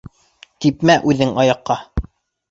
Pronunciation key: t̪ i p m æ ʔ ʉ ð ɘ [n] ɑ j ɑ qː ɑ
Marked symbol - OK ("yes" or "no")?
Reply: no